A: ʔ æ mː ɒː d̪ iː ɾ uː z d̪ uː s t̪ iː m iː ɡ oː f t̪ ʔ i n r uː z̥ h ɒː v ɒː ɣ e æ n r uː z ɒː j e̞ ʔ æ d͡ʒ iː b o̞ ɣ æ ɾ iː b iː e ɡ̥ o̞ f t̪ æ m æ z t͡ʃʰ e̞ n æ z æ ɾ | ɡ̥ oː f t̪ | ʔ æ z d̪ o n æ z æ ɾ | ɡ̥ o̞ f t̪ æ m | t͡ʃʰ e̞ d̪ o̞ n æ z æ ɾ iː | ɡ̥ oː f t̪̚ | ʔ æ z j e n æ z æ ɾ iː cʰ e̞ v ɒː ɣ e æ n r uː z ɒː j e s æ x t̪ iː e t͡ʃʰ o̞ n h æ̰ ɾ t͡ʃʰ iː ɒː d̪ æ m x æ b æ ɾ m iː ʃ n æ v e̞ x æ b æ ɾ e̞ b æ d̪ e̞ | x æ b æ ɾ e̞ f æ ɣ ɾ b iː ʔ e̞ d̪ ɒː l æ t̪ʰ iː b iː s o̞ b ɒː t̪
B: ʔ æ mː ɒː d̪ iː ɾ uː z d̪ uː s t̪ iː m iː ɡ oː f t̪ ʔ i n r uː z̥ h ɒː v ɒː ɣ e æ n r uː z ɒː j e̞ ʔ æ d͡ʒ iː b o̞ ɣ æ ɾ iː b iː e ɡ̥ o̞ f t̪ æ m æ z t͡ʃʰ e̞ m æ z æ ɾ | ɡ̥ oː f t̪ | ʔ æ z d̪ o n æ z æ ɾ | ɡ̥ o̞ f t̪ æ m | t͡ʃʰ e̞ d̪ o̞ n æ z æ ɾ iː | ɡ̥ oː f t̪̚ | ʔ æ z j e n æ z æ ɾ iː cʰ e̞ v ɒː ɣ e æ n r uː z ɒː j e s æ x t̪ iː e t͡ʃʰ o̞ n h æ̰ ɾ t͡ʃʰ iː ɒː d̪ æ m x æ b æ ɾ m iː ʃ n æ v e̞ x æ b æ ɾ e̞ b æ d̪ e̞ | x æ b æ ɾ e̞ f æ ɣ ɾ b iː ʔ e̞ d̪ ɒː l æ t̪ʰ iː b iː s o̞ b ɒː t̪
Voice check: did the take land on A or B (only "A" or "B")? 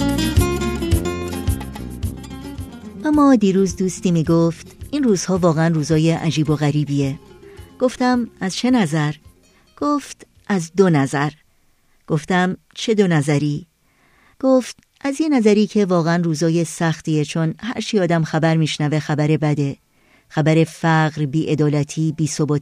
A